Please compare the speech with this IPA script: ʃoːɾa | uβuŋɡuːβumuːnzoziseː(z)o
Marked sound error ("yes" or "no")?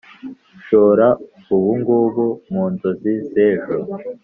yes